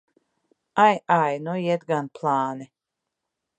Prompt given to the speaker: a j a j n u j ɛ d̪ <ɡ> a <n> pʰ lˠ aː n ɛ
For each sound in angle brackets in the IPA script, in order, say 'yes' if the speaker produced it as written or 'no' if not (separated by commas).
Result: yes, yes